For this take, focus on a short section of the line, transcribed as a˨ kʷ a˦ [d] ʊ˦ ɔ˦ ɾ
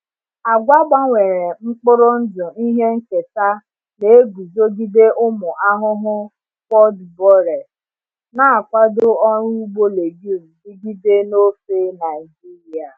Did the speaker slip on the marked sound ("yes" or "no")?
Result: no